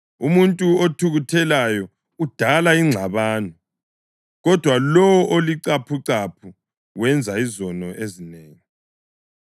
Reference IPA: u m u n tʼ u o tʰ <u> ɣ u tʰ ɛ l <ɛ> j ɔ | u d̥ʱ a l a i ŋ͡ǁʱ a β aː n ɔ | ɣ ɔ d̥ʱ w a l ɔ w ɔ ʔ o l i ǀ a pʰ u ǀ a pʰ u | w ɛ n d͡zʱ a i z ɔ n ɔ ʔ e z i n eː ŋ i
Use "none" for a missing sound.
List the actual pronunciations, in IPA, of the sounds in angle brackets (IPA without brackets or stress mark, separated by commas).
u, a